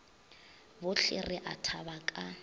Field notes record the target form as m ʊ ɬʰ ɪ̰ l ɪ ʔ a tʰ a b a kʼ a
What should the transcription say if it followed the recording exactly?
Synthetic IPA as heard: b ʊ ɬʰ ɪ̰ r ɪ ʔ a tʰ a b a kʼ a

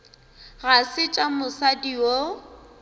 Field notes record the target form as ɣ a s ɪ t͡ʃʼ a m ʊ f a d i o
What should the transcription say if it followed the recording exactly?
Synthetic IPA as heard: ɣ a s ɪ t͡ʃʼ a m ʊ s a d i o

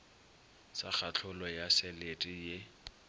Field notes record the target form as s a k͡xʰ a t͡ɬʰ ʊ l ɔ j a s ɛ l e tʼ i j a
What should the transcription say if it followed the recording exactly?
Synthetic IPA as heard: s a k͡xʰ a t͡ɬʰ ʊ l ɔ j a s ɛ l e tʼ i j e

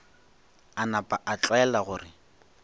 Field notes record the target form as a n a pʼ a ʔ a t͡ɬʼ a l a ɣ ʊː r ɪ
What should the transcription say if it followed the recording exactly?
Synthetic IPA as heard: a n a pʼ a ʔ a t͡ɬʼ ɛ l a ɣ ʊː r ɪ

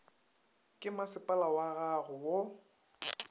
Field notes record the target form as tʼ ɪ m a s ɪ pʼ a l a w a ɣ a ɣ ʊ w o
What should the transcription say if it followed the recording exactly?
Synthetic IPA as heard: kʼ ɪ m a s ɪ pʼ a l a w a ɣ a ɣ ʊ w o

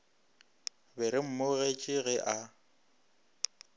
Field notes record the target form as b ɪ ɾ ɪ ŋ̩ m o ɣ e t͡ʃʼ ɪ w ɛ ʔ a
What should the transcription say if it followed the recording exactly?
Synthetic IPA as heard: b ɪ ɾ ɪ m̩ m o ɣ e t͡ʃʼ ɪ ɣ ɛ ʔ a

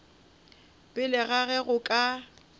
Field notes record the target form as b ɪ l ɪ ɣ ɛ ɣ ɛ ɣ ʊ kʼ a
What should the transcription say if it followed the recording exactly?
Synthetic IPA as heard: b ɪ l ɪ ɣ a ɣ ɛ ɣ ʊ kʼ a

